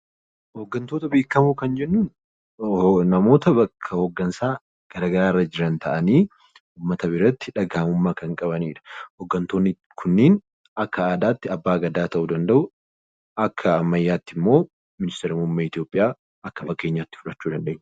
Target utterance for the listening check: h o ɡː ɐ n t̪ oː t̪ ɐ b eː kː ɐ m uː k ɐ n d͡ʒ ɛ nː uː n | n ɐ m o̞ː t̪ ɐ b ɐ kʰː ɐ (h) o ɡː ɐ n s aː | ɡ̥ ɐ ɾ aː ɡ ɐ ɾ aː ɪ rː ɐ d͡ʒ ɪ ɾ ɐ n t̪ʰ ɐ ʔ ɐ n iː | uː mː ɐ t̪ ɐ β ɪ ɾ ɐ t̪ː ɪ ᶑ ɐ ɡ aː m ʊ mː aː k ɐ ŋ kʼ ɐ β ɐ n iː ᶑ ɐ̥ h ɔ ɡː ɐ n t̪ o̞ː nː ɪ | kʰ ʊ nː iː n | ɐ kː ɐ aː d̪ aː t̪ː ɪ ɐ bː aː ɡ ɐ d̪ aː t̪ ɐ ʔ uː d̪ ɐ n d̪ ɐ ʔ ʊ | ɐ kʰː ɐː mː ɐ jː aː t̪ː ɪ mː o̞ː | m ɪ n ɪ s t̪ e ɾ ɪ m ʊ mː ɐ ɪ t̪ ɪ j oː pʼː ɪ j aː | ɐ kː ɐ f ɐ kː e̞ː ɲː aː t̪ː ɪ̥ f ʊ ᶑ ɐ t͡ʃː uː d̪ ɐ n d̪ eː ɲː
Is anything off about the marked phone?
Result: no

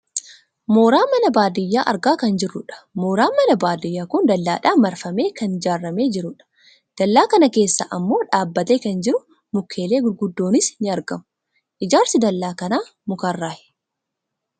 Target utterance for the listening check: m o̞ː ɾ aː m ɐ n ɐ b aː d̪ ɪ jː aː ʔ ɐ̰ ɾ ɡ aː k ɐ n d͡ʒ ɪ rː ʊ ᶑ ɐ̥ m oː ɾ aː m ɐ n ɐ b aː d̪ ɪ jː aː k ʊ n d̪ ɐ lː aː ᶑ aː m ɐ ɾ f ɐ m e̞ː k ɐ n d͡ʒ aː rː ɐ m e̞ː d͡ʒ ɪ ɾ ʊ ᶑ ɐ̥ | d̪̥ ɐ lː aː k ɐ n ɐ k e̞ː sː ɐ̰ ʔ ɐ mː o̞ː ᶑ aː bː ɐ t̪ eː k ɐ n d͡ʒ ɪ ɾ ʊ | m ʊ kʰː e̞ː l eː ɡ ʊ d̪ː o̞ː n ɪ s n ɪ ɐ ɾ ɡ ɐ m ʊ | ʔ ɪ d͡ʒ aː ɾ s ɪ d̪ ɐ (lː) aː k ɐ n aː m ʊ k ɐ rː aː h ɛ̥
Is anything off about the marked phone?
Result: no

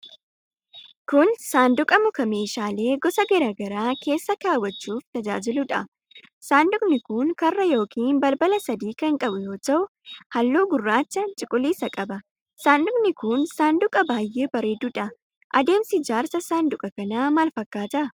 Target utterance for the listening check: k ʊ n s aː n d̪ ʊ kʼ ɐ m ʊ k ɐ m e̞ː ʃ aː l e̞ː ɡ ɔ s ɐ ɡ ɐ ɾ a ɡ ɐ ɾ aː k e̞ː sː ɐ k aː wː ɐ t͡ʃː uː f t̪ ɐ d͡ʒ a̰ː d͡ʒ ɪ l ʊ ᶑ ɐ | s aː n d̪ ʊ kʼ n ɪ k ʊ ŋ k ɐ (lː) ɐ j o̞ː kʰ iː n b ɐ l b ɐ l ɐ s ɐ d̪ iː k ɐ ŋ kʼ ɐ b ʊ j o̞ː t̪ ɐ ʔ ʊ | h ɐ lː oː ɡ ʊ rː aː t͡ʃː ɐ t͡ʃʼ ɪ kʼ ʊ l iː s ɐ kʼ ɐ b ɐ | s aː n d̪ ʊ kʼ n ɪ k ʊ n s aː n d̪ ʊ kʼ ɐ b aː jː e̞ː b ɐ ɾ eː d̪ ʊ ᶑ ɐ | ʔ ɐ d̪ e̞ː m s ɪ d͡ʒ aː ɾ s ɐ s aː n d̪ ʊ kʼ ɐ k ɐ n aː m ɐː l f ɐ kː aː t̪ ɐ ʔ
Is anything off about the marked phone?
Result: yes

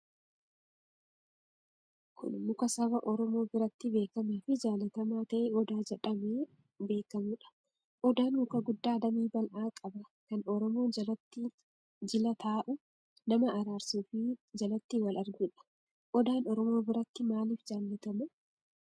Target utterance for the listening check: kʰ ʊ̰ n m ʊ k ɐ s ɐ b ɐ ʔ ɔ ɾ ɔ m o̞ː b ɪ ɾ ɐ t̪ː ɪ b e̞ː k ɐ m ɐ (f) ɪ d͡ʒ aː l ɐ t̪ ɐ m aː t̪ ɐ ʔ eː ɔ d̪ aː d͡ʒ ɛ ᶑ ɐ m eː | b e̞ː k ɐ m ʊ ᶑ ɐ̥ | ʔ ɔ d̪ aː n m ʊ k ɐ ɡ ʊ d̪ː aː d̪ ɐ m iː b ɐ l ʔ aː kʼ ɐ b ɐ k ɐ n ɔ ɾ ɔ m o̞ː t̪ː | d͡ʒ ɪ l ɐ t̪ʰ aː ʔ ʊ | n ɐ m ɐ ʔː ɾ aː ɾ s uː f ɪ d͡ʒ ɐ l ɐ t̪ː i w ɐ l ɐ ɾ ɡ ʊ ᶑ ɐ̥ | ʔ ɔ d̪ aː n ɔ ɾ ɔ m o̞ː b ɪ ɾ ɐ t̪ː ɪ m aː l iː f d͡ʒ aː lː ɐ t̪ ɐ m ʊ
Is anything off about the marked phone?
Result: no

